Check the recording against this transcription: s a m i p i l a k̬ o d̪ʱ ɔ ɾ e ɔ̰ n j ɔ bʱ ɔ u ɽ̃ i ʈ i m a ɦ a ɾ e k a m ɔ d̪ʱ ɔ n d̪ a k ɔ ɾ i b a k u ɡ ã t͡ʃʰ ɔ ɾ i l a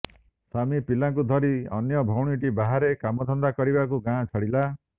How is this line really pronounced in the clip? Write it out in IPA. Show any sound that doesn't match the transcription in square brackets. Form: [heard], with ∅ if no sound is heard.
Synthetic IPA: s a m i p i l a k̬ [u] d̪ʱ ɔ ɾ [i] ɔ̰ n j ɔ bʱ ɔ [w] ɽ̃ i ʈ i [b] a ɦ a ɾ e k a m ɔ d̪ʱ ɔ n d̪ a k ɔ ɾ i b a k u ɡ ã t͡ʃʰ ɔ [ɽ] i l a